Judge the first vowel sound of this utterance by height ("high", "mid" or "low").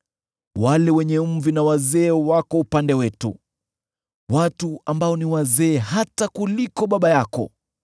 low